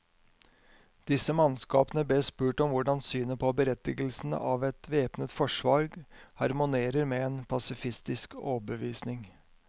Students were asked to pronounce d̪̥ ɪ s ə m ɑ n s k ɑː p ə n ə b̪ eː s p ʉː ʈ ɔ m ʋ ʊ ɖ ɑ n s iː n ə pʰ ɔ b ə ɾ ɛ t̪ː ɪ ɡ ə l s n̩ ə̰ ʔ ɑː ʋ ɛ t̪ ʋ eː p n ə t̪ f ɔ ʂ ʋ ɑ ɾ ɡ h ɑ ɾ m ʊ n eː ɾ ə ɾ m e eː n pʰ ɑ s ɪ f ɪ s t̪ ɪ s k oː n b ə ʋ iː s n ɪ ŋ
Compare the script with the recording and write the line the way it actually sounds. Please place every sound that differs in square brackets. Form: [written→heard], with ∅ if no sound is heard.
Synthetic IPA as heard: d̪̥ ɪ s ə m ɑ n s k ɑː p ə n ə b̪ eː s p ʉː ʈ ɔ m ʋ ʊ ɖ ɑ n s [iː→yː] n ə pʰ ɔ b ə ɾ ɛ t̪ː ɪ ɡ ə l s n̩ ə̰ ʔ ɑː ʋ ɛ t̪ ʋ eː p n ə t̪ f ɔ ʂ ʋ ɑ ɾ ɡ h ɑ ɾ m ʊ n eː ɾ ə ɾ m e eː n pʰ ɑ s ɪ f ɪ s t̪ ɪ s k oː [n→∅] b ə ʋ iː s n ɪ ŋ